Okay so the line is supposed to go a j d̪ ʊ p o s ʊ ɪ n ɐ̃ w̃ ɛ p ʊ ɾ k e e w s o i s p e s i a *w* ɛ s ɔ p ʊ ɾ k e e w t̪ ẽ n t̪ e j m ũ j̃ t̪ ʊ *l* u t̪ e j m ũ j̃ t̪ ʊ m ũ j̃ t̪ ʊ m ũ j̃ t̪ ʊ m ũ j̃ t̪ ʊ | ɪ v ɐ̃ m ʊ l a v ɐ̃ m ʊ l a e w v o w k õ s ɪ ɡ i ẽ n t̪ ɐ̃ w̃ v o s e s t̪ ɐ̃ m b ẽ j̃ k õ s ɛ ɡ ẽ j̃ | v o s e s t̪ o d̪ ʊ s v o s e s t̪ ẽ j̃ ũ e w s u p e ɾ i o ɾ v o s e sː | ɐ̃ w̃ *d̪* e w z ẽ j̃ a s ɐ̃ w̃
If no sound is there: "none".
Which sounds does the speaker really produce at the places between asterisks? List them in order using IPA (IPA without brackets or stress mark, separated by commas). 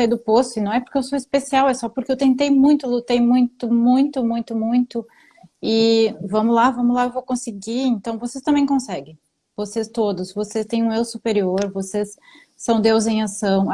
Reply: w, l, d̪